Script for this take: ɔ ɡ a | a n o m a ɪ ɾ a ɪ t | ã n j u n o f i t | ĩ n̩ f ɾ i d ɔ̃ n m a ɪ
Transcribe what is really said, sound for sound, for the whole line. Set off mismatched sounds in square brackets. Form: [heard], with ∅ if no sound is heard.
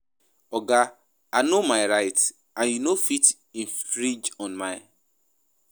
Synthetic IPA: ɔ ɡ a | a n o m a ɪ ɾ a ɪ t | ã n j u n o f i t | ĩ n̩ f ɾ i [d͡ʒ] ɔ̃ n m a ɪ